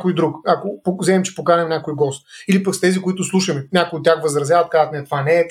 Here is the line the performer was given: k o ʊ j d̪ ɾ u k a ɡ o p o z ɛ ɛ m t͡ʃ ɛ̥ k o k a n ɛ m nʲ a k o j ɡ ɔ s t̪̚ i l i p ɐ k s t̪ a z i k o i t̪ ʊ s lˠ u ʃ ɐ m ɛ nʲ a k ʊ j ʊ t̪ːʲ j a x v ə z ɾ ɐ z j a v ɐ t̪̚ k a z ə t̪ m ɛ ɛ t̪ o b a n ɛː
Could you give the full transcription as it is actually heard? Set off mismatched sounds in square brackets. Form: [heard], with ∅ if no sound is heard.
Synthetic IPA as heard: k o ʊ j d̪ ɾ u k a [k] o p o z ɛ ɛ m t͡ʃ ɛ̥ [p] o k a n ɛ m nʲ a k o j ɡ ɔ s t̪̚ i l i p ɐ k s t̪ [ɛ] z i k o i t̪ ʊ s lˠ u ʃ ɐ m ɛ nʲ a k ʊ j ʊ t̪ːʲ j a x v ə z ɾ ɐ z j a v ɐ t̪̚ k a z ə t̪ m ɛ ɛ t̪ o [v] a n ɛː